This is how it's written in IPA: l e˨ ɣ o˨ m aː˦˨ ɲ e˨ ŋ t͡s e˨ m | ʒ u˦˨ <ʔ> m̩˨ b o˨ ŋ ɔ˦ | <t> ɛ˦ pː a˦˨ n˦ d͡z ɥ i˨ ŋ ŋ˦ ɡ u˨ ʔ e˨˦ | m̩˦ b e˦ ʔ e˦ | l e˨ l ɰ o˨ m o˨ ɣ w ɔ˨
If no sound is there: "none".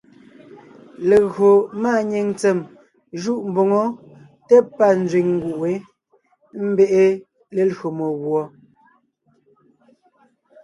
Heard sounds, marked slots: ʔ, t

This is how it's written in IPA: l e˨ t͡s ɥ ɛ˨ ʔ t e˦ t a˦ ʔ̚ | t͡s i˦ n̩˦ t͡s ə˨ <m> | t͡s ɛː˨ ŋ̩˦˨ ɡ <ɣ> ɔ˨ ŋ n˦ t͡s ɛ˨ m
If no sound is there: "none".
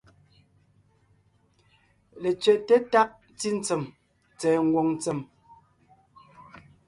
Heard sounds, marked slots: m, w

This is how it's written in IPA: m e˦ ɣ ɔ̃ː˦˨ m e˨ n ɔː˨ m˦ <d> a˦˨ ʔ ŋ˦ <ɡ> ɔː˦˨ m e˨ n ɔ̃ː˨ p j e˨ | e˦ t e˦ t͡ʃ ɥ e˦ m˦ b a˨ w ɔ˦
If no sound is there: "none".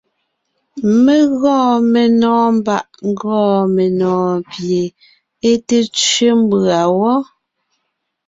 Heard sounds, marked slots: b, ɡ

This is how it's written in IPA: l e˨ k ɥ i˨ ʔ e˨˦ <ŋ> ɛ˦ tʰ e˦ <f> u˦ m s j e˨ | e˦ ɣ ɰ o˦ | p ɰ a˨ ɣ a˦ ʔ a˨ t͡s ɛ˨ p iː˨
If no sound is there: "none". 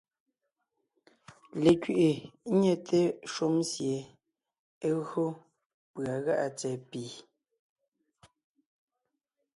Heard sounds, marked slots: ɲ, ʃ

